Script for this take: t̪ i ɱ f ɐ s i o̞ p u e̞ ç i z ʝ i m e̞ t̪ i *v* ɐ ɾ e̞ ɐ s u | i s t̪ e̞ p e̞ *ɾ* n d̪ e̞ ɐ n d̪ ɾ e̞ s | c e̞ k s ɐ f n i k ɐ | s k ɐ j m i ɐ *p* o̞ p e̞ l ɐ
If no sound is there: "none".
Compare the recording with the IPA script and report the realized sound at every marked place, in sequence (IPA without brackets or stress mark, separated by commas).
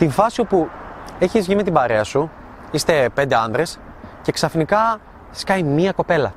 b, none, k